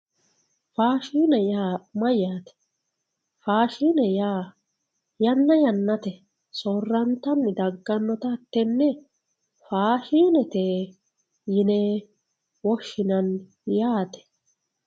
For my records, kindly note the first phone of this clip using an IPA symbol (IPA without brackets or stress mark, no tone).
f